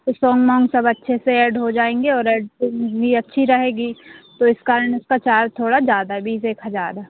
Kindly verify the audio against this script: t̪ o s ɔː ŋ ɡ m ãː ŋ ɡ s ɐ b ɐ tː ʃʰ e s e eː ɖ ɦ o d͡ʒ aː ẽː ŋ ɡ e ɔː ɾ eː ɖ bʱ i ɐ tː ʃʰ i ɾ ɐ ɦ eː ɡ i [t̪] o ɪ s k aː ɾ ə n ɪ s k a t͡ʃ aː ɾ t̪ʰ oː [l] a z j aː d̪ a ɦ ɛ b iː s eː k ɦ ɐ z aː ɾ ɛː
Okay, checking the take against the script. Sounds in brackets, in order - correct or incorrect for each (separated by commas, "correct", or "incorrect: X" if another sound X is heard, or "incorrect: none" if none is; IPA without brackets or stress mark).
correct, incorrect: ɽ